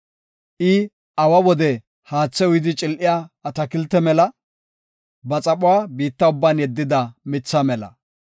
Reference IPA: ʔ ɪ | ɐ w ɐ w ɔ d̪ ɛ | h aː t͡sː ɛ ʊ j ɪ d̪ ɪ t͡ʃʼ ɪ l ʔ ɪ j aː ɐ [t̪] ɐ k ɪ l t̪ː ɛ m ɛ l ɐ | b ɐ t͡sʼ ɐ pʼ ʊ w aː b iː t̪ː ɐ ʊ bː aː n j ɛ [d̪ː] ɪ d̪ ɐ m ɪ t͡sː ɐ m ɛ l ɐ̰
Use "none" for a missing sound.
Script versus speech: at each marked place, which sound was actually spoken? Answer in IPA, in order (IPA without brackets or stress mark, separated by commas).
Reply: t̪, d̪ː